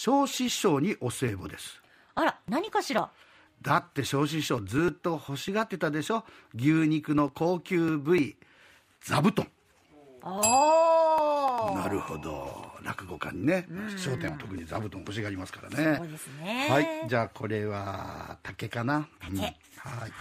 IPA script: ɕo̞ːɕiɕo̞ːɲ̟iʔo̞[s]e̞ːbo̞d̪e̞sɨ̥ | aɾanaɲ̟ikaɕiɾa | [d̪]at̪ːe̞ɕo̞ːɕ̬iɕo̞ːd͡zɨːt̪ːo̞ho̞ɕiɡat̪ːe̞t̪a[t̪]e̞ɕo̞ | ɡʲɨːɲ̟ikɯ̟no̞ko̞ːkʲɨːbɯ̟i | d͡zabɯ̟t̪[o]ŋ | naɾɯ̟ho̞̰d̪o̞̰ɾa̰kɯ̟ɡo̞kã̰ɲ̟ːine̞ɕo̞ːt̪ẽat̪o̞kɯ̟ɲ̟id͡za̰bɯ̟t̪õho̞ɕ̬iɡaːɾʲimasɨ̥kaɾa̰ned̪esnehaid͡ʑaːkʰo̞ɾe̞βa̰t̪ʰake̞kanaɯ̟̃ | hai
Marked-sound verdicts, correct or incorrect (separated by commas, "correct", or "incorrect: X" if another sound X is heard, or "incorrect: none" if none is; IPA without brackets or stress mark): correct, correct, incorrect: d̪, incorrect: õ